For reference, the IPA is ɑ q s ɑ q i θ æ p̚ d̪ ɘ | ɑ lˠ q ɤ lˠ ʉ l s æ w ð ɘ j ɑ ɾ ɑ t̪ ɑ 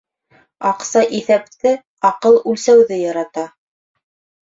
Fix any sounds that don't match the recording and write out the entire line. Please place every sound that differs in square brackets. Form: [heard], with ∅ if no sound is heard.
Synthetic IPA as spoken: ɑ q s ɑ [ʔ] i θ æ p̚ [t̪] ɘ | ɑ [∅] q ɤ lˠ ʉ l s æ w ð ɘ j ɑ ɾ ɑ t̪ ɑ